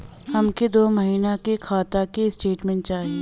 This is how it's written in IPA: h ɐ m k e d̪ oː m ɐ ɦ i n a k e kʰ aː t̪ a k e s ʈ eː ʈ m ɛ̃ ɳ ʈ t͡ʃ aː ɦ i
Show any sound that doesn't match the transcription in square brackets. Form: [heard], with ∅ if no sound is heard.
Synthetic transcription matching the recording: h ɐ m k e d̪ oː m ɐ ɦ [iː] n a k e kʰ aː t̪ a k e s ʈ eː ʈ m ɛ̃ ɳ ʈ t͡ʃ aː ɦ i